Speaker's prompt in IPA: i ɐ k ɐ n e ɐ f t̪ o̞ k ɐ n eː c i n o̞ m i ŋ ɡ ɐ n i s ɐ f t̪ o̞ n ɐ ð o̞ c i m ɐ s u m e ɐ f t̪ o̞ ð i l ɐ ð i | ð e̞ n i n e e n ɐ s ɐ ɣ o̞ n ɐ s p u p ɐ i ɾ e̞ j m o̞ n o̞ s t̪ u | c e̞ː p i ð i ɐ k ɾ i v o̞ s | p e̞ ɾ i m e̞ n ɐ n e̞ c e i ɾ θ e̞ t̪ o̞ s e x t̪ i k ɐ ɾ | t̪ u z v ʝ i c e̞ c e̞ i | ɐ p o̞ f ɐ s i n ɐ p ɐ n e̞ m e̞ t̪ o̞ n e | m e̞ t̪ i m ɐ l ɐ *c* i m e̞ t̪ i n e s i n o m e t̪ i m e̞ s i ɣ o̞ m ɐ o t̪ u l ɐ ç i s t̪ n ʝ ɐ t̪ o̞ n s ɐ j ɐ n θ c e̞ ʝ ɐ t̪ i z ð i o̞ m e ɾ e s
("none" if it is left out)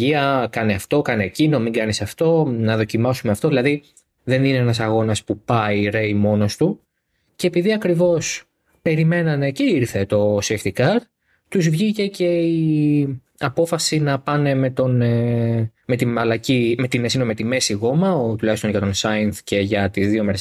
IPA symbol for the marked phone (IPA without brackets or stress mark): c